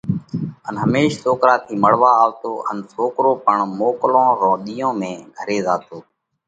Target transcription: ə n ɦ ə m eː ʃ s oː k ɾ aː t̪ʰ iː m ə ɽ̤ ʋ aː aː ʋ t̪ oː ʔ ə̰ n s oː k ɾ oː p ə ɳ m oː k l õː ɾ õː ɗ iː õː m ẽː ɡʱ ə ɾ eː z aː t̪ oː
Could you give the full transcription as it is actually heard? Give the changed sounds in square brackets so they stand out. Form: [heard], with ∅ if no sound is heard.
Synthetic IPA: ə n ɦ ə m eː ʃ s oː k ɾ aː t̪ʰ iː m ə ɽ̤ ʋ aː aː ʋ t̪ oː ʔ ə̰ n s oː k ɾ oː p ə ɳ m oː k l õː ɾ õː ɗ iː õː m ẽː ɡʱ ə ɾ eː z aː t̪ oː